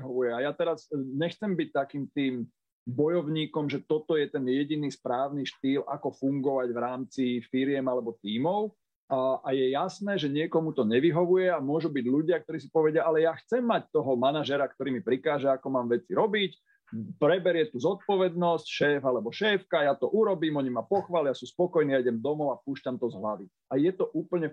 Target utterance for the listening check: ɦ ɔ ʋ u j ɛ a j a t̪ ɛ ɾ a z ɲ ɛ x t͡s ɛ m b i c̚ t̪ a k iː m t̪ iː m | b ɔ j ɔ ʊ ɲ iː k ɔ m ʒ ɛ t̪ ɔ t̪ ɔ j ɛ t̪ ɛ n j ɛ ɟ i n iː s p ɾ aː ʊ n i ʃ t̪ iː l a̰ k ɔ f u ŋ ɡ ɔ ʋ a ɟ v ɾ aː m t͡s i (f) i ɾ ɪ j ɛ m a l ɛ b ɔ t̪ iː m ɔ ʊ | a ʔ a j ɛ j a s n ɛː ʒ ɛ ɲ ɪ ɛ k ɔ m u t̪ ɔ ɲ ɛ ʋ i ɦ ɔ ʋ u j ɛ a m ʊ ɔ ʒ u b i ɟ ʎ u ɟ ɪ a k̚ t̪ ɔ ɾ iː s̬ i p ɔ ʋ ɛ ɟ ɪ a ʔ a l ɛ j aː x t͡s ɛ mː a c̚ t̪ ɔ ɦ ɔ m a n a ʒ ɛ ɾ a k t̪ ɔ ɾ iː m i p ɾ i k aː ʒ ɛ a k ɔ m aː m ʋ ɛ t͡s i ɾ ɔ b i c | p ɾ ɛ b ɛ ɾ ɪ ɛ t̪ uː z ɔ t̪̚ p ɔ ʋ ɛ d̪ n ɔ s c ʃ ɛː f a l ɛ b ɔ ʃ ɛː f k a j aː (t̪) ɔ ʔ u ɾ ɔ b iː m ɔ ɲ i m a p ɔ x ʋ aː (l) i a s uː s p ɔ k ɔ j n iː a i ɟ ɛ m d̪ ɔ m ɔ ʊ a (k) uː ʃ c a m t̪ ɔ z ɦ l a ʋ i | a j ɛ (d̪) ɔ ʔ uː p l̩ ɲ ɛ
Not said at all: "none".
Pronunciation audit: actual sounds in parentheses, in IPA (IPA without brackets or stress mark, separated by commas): f, t̪, l, p, t̪